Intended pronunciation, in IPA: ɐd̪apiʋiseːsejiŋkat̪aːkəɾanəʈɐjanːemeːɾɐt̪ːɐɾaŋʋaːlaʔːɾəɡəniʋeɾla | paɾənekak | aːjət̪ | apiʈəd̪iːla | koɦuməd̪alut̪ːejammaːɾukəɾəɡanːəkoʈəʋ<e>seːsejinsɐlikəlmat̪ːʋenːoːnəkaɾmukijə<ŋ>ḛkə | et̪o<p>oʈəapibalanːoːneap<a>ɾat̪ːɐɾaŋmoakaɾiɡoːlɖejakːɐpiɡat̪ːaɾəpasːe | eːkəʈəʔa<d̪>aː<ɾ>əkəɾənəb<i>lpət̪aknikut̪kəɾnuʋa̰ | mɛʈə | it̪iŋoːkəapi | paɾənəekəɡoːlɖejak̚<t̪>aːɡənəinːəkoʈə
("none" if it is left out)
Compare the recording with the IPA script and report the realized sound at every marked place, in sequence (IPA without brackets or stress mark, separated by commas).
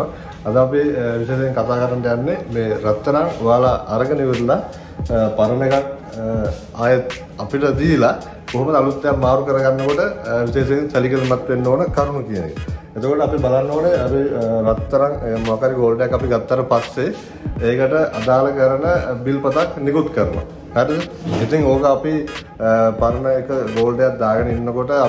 i, n, k, i, d̪, l, i, d̪